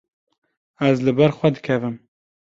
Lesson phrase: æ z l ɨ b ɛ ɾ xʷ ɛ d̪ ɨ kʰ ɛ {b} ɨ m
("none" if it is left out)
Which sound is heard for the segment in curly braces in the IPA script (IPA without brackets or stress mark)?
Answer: v